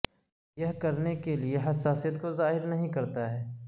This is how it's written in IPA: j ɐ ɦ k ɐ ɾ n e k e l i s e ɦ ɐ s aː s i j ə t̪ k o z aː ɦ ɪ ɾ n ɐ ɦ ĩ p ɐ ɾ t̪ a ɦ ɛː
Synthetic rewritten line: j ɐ ɦ k ɐ ɾ n e k e l i e ɦ ɐ s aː s i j ə t̪ k o z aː ɦ ɪ ɾ n ɐ ɦ ĩ k ɐ ɾ t̪ a ɦ ɛː

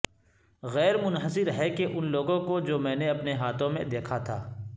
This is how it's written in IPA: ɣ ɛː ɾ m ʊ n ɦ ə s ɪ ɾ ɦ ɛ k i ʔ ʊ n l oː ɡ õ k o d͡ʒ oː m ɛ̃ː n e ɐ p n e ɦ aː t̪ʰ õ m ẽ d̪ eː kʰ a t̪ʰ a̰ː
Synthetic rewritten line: ɣ ɛː ɾ m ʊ n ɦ ə s ɪ ɾ ɦ ɛ k e ʔ ʊ n l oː ɡ õ k o d͡ʒ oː m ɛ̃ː n e ɐ p n e ɦ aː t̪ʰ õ m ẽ d̪ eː kʰ a t̪ʰ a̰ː

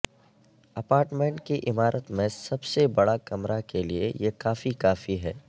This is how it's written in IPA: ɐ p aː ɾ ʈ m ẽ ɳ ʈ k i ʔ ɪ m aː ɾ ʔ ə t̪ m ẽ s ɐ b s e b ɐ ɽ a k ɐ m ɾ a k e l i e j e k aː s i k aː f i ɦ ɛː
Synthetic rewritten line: ɐ p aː ɾ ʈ m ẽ ɳ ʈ k i ʔ ɪ m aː ɾ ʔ ə t̪ m ẽ s ɐ b s e b ɐ ɽ a k ɐ m ɾ a k e l i e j e k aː f i k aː f i ɦ ɛː

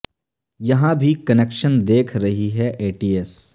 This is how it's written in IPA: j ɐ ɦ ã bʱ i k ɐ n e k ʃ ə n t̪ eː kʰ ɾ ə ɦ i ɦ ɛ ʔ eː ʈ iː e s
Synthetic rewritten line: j ɐ ɦ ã bʱ i k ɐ n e k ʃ ə n d̪ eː kʰ ɾ ɐ ɦ i ɦ ɛ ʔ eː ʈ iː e s

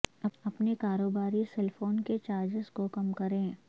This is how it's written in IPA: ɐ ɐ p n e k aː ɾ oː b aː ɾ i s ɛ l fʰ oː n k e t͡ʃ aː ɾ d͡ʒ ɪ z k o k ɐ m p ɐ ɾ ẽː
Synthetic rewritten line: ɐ ɐ p n e k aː ɾ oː b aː ɾ i s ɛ l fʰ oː n k e t͡ʃ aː ɾ d͡ʒ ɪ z k o k ɐ m k ɐ ɾ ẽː

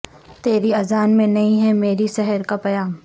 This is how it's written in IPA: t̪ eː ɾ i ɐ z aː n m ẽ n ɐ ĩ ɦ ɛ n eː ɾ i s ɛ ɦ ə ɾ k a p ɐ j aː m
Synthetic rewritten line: t̪ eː ɾ i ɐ z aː n m ẽ n ɐ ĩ ɦ ɛ m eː ɾ i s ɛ ɦ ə ɾ k a p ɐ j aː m

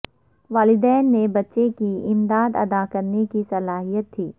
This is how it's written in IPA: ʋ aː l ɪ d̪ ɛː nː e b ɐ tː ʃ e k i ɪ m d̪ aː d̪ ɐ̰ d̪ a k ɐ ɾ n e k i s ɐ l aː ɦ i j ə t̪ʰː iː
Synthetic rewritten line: ʋ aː l ɪ d̪ ɛː nː e b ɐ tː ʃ e k i ɪ m d̪ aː d̪ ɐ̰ d̪ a k ɐ ɾ n e k i s ɐ l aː ɦ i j ə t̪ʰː iː

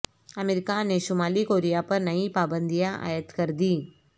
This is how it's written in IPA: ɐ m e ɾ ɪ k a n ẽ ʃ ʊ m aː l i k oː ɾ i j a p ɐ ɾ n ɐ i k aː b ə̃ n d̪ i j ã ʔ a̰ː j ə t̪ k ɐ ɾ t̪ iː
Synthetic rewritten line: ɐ m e ɾ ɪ k a n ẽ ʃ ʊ m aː l i k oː ɾ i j a p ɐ ɾ n ɐ i p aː b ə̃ n d̪ i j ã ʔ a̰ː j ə t̪ k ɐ ɾ d̪ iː

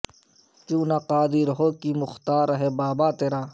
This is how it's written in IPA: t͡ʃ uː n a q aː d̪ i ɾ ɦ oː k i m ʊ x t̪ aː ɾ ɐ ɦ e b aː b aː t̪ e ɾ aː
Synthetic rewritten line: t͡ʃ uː n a q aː d̪ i ɾ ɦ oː k i m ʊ x t̪ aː ɾ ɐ ɦ e b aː b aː t̪ e ɾ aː

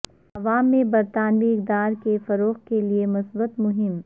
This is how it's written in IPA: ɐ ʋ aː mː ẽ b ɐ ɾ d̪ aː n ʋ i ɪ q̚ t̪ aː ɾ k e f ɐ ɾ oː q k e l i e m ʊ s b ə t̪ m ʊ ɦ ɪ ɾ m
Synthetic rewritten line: ɐ ʋ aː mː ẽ b ɐ ɾ t̪ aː n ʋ i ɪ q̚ d̪ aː ɾ k e f ɐ ɾ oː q k e l i e m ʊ s b ə t̪ m ʊ ɦ ɪ m

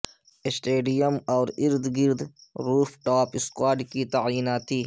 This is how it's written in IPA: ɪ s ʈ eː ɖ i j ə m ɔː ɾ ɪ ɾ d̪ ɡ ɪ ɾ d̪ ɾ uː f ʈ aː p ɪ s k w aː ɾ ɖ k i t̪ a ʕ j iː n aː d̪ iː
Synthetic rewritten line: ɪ s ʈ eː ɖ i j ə m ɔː ɾ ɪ ɾ d̪ ɡ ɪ ɾ d̪ ɾ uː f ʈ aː p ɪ s k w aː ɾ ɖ k i t̪ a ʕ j iː n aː t̪ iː

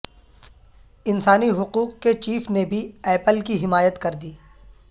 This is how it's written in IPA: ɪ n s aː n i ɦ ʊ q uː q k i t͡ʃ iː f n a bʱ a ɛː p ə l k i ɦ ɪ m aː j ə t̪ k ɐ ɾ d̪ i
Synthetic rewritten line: ɪ n s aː n i ɦ ʊ q uː q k e t͡ʃ iː f n e bʱ i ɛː p ə l k i ɦ ɪ m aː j ə t̪ k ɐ ɾ d̪ iː

